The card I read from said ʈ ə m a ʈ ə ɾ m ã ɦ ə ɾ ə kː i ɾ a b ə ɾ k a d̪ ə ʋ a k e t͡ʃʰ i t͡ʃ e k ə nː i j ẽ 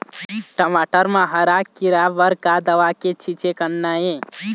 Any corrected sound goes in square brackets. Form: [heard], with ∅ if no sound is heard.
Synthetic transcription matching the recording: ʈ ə m a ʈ ə ɾ m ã ɦ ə ɾ [a] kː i ɾ a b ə ɾ k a d̪ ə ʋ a k e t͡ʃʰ i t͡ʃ e k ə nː [a] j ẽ